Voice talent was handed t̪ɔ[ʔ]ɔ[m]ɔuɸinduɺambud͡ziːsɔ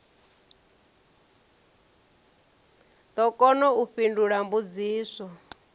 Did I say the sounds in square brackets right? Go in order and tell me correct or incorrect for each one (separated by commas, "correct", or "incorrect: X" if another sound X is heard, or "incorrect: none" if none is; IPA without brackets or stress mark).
incorrect: k, incorrect: n